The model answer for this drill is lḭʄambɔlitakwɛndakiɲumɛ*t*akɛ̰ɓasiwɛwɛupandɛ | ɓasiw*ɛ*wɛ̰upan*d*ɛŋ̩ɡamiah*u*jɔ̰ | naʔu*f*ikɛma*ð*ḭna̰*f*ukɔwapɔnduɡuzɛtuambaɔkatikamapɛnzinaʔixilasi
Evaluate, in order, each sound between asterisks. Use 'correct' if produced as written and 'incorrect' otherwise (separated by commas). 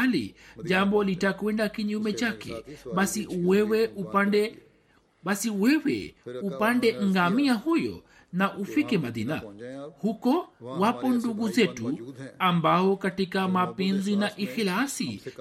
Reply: incorrect, correct, correct, correct, correct, correct, incorrect